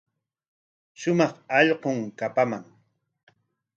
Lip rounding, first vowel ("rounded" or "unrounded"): rounded